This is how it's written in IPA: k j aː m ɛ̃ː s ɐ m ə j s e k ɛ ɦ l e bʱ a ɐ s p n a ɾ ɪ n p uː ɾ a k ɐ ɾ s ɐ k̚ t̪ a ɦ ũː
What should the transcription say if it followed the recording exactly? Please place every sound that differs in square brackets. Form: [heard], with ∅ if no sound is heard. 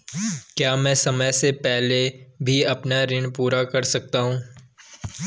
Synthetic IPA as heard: k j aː m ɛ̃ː s ɐ m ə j s e [p] ɛ ɦ l e bʱ [i] ɐ [∅] p n a ɾ ɪ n p uː ɾ a k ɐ ɾ s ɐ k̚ t̪ a ɦ ũː